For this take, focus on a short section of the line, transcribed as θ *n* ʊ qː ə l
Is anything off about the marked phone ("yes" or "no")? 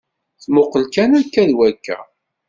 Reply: yes